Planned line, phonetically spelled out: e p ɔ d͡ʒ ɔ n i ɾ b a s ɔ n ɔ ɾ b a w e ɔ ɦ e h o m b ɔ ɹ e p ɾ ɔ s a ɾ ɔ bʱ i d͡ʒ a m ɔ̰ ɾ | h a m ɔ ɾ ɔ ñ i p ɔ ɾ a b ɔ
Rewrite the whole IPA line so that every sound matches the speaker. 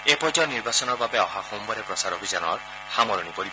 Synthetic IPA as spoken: e p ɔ d͡ʒ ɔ n i ɾ b a s ɔ n ɔ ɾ b a b e ɔ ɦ a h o m b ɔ ɾ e p ɾ ɔ s a ɾ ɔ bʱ i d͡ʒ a n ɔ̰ ɾ | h a m ɔ ɾ ɔ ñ i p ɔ ɾ i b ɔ